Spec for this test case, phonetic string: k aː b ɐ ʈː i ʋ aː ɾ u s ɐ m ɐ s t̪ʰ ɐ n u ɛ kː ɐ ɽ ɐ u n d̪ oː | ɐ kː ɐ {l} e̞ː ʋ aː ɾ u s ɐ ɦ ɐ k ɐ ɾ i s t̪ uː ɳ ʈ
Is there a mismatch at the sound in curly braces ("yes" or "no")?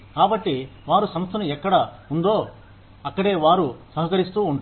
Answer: yes